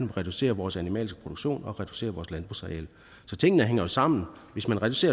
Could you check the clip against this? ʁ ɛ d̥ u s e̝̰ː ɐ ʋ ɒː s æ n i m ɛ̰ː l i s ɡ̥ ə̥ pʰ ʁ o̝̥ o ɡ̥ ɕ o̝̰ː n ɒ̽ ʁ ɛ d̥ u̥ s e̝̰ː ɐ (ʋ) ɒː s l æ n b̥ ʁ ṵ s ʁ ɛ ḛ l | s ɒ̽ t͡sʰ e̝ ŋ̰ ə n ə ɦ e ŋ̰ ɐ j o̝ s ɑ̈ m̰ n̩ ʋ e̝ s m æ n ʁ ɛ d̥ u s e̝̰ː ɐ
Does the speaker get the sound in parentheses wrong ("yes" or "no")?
no